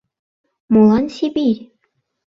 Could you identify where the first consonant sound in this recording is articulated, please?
labial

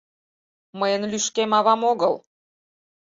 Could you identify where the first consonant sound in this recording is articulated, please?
labial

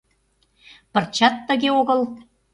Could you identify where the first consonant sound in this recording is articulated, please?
labial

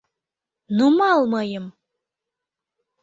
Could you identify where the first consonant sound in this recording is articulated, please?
alveolar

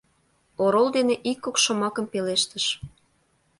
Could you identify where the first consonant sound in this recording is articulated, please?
alveolar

